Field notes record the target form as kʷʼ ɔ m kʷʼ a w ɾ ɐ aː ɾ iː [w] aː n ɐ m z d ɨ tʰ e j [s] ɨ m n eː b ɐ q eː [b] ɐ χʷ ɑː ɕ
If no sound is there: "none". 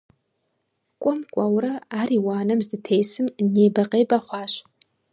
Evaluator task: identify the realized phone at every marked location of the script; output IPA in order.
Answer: w, s, b

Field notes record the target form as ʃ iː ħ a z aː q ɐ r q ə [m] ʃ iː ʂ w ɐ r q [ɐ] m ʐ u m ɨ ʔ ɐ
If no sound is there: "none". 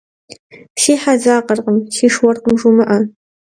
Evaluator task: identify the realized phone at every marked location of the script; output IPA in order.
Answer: m, ə

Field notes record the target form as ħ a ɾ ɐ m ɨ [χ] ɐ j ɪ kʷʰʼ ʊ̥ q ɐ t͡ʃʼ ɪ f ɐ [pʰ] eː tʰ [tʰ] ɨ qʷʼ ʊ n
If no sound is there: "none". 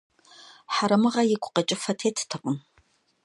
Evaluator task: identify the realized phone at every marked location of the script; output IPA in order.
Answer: ʁ, tʰ, tʰ

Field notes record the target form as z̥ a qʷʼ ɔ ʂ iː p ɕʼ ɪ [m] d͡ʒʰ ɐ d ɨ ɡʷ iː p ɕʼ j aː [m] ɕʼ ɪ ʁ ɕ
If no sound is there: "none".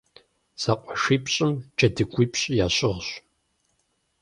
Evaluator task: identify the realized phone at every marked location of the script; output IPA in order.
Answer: m, none

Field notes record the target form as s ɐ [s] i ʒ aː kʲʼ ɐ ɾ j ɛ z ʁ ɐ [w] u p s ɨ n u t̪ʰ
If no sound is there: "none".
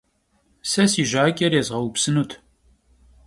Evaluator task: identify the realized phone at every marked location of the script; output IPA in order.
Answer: s, w

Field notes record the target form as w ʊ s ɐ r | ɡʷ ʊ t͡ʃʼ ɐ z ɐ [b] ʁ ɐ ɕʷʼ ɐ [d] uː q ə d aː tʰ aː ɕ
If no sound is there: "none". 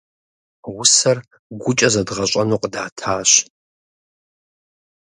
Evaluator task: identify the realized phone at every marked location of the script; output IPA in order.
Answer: d, n

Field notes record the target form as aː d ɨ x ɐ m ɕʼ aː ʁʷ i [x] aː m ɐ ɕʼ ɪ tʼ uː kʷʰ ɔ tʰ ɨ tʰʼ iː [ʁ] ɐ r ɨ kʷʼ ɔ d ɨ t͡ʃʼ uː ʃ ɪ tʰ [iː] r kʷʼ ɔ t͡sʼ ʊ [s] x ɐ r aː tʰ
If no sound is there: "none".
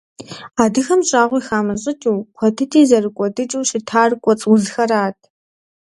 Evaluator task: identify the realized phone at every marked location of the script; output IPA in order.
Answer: x, z, aː, z

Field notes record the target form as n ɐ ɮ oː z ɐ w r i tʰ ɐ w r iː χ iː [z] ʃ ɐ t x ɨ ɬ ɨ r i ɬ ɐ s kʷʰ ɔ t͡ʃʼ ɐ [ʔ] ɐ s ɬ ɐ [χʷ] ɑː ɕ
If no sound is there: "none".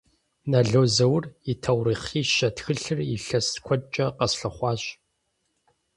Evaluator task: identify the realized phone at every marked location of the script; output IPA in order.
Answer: none, q, χʷ

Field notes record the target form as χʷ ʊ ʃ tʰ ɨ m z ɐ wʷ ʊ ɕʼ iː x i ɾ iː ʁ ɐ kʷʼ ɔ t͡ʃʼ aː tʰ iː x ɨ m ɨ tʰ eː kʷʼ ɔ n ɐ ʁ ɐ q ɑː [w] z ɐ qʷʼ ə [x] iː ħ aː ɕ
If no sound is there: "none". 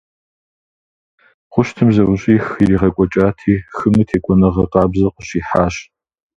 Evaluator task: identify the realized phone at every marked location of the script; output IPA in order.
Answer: b, ɕ

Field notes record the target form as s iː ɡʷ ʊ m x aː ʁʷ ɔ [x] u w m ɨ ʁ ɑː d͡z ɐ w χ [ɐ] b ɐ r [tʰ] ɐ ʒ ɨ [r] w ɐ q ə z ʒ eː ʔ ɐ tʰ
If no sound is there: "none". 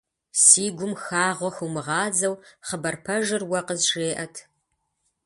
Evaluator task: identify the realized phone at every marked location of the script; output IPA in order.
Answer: x, ə, pʰ, r

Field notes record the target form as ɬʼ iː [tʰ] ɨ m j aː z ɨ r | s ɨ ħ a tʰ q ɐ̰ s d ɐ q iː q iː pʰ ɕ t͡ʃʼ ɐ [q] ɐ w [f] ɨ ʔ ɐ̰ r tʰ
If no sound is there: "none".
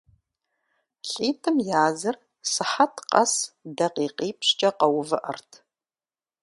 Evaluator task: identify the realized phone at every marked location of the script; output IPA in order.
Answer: tʰ, q, v

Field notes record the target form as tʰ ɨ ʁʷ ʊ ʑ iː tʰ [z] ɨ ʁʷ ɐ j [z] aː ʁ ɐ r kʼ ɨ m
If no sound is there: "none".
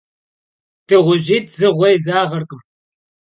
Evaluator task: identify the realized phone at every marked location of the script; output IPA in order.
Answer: z, z

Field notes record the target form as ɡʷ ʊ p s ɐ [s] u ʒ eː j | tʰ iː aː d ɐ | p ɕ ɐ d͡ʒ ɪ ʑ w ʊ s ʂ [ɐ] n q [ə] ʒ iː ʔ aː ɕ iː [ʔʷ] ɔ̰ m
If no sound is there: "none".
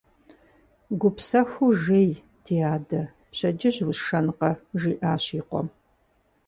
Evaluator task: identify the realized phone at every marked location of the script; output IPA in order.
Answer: x, ɐ, ɐ, qʷ

